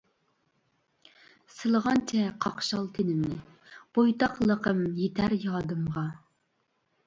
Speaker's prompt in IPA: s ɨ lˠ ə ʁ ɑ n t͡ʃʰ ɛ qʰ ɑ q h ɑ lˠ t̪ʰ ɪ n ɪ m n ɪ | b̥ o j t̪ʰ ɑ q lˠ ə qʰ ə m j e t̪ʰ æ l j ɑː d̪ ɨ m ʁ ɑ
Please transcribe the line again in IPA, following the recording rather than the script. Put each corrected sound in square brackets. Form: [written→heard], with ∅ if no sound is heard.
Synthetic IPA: s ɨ lˠ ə ʁ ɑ n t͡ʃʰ ɛ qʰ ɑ q [h→ʃ] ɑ lˠ t̪ʰ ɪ n ɪ m n ɪ | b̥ o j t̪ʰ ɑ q lˠ ə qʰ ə m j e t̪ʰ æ [l→ɾ] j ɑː d̪ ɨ m ʁ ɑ